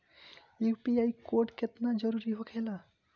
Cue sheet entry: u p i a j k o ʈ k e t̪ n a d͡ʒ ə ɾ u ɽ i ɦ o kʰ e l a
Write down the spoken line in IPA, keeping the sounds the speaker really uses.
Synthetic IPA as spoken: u p i a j k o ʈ k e t̪ n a d͡ʒ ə ɾ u ɾ i ɦ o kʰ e l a